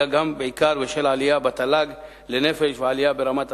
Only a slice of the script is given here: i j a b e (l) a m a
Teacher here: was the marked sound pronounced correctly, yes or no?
no